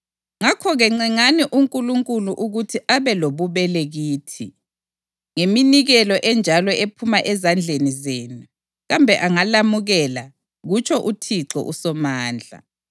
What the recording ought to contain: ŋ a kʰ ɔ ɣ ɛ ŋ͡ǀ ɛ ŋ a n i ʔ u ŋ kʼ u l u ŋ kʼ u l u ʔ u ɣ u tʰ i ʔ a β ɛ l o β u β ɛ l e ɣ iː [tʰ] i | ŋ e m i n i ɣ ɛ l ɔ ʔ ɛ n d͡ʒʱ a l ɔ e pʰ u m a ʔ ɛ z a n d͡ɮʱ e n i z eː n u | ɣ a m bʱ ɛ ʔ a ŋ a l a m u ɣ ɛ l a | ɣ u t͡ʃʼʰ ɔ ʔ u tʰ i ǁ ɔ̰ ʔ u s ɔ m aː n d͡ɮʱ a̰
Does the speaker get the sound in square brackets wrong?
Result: no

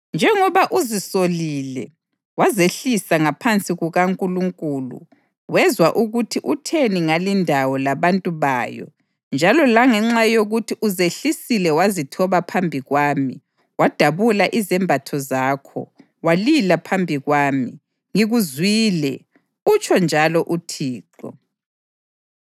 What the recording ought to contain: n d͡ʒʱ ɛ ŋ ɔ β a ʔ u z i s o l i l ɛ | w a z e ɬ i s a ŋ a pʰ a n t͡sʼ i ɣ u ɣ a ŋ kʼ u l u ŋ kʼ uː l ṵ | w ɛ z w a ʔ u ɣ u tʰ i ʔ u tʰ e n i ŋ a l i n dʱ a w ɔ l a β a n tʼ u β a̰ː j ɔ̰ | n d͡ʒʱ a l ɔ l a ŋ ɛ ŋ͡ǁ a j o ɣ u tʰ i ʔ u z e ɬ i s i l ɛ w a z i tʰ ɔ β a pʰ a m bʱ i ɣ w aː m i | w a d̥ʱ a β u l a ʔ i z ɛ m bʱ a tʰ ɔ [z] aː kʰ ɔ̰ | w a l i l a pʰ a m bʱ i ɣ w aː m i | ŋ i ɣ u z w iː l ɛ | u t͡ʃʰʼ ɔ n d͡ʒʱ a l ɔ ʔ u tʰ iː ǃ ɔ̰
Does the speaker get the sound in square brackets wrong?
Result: no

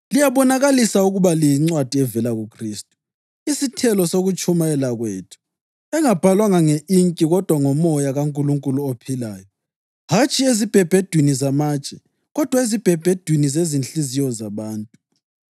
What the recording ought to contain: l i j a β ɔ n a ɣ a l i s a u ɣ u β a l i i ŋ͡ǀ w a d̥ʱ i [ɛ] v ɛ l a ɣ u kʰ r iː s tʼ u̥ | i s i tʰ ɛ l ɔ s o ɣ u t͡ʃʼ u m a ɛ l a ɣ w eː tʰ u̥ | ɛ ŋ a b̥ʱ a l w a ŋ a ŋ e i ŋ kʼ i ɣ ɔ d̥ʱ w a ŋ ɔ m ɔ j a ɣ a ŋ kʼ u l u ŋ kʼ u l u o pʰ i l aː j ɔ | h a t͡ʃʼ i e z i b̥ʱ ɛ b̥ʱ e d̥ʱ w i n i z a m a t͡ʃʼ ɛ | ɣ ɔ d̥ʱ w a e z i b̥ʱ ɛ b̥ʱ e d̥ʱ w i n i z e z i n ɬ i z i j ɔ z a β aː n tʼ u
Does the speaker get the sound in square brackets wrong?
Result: no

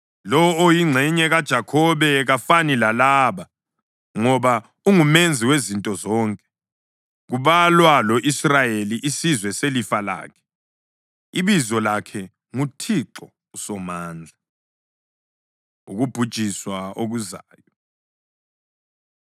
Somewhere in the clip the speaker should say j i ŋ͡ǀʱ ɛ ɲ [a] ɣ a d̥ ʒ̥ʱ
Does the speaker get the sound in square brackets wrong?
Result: yes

